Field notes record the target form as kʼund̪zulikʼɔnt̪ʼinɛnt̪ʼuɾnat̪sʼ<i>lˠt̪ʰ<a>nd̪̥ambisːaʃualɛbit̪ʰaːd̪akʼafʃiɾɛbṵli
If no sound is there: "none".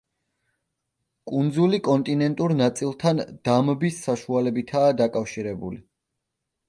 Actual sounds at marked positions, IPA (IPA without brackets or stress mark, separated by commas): i, a